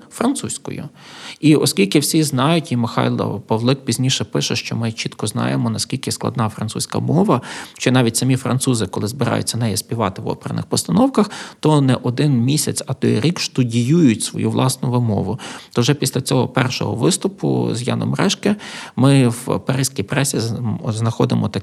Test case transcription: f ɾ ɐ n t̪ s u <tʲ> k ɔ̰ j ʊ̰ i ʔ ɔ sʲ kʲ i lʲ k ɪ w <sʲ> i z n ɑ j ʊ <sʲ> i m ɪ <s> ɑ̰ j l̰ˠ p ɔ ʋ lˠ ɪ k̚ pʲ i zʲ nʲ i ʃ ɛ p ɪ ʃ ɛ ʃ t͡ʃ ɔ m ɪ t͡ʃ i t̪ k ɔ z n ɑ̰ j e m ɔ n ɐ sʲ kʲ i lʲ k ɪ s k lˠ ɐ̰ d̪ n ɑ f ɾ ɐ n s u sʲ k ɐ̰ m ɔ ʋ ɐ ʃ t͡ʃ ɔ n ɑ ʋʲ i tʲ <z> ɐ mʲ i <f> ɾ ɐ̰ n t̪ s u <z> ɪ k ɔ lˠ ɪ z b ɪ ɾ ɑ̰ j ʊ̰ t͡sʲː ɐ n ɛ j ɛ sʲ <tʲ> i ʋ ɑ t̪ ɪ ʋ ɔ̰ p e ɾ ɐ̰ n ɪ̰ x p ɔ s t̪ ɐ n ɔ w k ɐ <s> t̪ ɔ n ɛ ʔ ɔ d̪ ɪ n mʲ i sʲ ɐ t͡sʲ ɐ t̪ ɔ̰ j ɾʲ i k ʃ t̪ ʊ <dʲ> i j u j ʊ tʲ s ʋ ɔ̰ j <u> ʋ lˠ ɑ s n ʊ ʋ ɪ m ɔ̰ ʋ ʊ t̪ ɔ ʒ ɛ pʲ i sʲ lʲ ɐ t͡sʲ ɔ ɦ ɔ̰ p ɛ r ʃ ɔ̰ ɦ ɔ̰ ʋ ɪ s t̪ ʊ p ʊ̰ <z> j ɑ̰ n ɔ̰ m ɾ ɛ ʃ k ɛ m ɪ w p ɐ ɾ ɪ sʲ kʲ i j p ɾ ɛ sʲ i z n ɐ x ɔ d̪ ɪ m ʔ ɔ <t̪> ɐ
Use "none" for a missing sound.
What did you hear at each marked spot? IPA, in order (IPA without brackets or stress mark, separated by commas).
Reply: sʲ, sʲ, tʲ, x, s, f, z, pʲ, x, dʲ, u, z, t̪